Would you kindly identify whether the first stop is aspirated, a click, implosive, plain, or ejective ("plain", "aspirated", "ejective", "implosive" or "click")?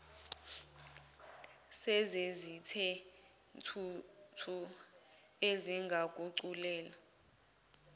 aspirated